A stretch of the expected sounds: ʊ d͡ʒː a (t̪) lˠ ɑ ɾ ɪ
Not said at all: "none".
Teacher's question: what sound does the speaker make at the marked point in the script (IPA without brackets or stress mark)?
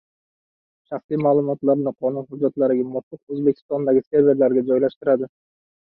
t̪